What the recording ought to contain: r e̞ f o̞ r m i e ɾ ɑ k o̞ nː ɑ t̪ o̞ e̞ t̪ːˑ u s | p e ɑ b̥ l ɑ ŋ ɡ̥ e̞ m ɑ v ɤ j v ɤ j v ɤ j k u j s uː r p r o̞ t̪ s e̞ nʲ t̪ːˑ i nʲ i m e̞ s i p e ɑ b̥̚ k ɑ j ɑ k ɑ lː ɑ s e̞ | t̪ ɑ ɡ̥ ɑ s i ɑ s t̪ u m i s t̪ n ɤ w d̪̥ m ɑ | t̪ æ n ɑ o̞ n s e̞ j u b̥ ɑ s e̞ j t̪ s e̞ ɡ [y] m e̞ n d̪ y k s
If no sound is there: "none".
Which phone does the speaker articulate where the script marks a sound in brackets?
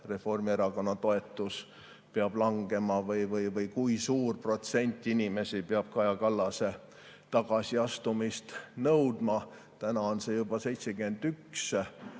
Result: y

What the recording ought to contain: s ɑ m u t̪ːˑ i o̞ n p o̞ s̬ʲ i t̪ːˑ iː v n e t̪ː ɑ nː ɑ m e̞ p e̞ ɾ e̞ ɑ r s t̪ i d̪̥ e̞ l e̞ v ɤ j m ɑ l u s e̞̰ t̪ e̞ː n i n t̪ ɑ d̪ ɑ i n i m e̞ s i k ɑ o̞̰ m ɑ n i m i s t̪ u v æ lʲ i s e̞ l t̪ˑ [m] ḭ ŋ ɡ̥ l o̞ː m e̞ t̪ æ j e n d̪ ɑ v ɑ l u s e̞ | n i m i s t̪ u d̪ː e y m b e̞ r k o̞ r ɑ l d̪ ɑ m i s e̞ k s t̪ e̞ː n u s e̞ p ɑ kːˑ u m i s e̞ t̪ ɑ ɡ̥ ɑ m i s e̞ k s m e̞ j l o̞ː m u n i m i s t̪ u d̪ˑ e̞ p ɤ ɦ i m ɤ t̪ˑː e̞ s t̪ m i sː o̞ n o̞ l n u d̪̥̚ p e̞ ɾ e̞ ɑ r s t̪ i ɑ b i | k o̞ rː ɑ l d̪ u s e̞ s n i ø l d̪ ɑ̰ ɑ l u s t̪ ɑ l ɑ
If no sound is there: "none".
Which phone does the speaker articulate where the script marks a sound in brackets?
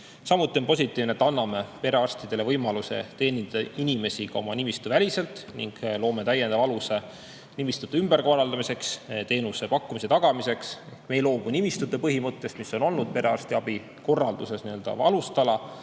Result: n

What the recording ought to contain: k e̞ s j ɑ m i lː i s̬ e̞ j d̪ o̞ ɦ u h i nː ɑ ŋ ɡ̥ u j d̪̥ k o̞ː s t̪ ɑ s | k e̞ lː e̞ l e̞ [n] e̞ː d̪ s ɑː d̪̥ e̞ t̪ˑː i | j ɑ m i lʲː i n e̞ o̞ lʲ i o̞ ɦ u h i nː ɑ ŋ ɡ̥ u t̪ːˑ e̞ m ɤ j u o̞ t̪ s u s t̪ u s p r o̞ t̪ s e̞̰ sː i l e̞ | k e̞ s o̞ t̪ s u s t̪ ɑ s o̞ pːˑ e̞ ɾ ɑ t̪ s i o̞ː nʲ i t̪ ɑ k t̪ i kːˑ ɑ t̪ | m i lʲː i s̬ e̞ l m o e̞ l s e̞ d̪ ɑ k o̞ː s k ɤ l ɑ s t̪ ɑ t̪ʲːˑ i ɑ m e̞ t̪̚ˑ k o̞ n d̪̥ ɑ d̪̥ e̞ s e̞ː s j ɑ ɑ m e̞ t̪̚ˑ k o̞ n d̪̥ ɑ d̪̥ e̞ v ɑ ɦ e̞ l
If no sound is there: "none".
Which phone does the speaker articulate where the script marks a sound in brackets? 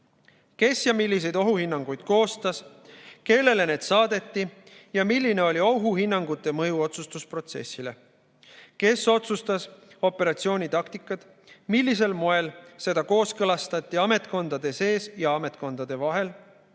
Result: n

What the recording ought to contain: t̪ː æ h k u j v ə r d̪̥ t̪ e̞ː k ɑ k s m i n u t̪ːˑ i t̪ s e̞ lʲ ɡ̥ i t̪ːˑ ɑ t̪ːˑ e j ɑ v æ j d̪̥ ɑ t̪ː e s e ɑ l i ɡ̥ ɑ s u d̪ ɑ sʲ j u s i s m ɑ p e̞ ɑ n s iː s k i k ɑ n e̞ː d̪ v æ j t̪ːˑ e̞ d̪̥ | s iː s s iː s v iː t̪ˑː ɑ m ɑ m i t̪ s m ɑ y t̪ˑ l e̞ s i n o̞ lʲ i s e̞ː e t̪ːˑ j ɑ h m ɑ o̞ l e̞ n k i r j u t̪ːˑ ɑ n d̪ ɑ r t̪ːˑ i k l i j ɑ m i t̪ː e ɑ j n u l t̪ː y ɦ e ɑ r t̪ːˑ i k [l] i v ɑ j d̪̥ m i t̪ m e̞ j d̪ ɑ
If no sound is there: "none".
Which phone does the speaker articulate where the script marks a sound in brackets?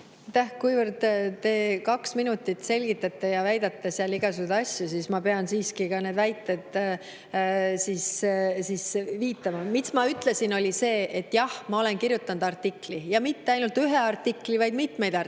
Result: l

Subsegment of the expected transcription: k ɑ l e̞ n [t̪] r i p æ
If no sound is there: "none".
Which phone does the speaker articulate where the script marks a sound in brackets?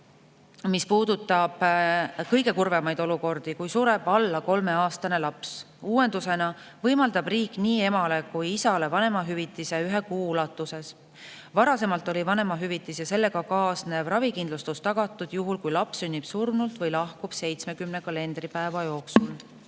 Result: d̪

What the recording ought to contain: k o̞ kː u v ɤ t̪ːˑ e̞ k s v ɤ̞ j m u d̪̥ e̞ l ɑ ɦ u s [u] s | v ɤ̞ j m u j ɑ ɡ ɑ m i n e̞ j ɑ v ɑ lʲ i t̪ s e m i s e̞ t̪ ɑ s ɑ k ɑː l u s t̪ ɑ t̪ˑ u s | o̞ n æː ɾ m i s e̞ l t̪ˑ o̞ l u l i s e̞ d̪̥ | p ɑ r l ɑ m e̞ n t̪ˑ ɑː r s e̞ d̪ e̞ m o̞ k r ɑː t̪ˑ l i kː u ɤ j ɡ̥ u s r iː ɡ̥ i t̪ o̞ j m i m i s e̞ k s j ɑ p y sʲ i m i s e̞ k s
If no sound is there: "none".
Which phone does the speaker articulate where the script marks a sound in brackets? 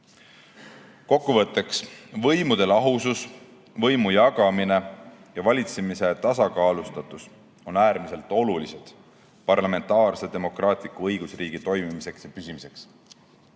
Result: u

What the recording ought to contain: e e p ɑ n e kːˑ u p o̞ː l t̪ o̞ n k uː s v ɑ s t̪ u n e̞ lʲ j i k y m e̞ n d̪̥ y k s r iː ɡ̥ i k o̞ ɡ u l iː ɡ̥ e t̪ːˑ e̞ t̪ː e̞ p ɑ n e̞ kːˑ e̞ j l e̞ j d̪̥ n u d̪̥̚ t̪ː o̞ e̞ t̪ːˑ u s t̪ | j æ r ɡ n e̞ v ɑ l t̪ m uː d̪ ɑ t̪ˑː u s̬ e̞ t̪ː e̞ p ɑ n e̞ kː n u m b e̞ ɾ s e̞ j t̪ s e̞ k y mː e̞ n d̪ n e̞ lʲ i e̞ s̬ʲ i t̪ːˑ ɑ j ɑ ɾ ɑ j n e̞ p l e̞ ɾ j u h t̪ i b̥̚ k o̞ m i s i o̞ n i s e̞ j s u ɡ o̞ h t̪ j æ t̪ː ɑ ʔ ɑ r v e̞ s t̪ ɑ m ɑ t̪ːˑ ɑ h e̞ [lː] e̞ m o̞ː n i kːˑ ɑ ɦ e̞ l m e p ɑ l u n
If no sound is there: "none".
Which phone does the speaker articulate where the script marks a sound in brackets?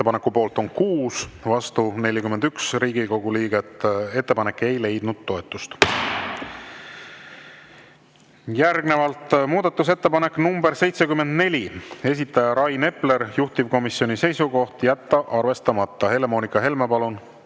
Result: l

